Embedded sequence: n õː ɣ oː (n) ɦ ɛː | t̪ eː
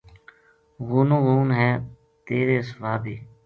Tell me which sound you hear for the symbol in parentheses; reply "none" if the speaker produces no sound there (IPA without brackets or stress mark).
n